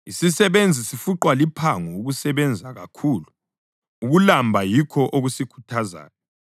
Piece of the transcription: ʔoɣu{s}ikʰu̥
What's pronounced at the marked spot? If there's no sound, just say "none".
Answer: s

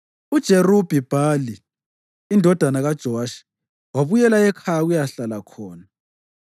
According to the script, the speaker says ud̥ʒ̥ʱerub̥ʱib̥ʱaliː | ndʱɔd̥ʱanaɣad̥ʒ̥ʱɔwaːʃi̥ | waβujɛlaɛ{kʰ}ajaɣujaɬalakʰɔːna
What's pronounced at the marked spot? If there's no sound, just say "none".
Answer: kʰ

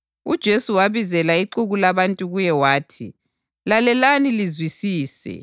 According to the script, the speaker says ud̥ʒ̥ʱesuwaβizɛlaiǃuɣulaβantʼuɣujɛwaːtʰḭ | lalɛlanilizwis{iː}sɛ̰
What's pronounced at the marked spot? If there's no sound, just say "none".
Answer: iː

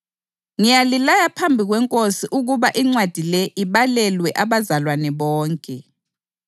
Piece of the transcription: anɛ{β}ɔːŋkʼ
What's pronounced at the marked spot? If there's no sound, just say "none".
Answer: β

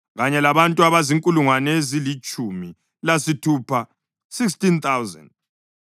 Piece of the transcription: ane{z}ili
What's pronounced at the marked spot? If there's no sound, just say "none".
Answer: z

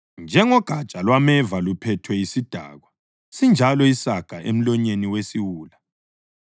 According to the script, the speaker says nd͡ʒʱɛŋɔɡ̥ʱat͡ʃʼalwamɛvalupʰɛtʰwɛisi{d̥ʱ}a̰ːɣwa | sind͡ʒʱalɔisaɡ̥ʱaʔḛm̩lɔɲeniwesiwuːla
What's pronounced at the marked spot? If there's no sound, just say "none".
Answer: d̥ʱ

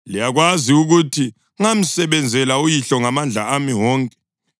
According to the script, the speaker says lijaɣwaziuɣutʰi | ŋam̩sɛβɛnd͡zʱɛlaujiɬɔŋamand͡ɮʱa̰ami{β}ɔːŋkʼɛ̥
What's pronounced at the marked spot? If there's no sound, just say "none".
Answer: w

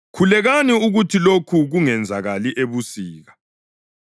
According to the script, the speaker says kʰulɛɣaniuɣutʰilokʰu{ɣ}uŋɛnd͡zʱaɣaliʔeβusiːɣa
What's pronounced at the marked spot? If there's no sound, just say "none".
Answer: ɣ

